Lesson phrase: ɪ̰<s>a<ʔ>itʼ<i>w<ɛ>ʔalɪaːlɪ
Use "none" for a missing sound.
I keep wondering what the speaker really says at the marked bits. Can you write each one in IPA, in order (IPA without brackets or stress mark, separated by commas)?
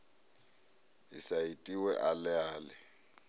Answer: s, none, i, ɛ